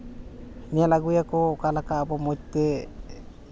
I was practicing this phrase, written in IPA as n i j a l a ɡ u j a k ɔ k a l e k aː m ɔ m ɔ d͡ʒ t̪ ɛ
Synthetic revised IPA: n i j a l a ɡ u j a k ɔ k a l a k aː b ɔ m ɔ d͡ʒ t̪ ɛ